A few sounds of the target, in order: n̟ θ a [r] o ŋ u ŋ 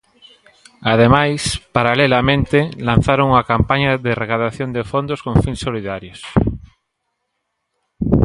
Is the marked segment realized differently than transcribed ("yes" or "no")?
yes